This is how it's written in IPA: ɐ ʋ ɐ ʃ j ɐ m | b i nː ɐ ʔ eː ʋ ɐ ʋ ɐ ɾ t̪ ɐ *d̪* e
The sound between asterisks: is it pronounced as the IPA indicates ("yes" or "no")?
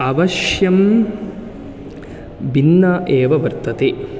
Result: no